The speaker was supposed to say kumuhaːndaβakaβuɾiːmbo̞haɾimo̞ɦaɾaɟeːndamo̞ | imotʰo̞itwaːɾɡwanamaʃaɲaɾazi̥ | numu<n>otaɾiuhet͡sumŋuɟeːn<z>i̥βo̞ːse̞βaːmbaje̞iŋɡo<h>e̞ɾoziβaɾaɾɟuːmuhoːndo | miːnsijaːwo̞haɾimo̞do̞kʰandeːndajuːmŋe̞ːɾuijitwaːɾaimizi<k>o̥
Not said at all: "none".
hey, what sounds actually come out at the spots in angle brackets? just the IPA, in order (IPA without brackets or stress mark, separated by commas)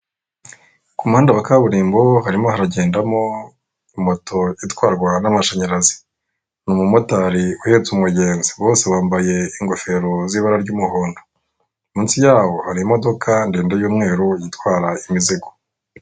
m, z, f, ɡ